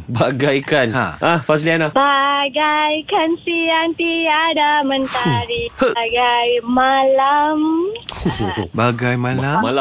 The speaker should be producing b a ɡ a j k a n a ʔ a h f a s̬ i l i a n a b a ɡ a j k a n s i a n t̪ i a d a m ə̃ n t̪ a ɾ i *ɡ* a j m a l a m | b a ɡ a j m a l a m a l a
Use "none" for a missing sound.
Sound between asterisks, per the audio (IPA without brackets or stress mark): ɡ